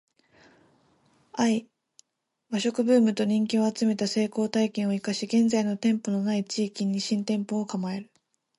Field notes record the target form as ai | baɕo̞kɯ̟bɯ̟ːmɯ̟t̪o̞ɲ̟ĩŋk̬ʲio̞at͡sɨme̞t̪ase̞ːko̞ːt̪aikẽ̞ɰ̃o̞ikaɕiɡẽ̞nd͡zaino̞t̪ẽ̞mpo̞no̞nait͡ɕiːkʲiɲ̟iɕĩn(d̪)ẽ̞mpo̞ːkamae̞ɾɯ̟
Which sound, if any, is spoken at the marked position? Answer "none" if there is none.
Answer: t̪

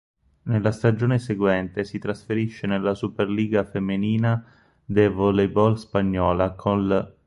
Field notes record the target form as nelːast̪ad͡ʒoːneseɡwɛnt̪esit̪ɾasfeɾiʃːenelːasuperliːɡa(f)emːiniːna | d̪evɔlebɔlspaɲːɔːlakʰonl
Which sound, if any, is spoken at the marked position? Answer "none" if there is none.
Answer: f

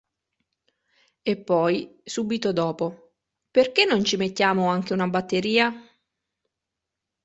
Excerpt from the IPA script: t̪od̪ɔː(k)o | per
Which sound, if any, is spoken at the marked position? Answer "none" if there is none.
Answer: p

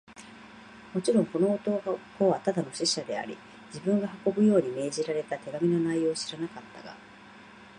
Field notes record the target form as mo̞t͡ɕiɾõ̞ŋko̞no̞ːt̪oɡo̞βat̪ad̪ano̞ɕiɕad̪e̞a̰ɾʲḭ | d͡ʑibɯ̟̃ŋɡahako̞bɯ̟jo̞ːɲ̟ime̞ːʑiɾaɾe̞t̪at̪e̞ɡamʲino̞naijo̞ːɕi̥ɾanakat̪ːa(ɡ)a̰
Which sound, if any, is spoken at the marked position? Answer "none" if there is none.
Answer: ɡ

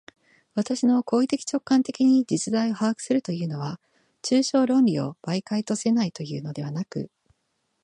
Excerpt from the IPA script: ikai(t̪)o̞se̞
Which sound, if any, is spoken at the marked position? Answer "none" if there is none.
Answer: t̪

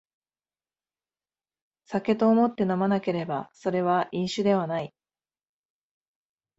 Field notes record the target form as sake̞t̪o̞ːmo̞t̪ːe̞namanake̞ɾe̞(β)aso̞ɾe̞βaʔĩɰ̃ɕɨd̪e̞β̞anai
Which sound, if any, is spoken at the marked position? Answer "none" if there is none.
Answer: b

